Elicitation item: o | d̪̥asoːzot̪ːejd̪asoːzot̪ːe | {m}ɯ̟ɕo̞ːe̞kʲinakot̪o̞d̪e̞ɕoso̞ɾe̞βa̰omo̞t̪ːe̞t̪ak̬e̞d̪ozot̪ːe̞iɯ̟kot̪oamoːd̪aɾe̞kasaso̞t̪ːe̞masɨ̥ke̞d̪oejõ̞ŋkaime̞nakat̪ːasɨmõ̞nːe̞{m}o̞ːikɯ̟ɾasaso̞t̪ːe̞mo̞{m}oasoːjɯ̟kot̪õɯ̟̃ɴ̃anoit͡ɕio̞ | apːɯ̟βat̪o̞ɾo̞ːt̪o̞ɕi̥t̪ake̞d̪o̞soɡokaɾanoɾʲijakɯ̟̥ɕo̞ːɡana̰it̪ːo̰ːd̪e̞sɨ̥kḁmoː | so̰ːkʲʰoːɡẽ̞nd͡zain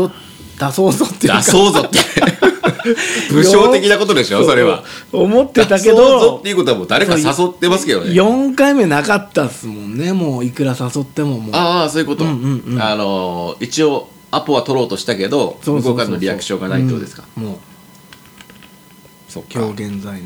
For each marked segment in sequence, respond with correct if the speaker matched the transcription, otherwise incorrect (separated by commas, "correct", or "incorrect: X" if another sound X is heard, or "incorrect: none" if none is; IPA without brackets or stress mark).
incorrect: b, correct, correct